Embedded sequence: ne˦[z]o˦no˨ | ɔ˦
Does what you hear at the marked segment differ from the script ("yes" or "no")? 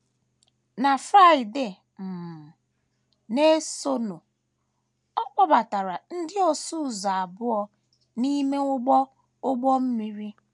yes